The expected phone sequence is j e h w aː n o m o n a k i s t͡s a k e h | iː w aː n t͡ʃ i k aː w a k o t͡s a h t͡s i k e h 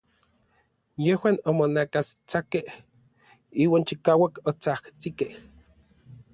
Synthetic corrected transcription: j e h w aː n o m o n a k a s t͡s a k e h | iː w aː n t͡ʃ i k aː w a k o t͡s a h t͡s i k e h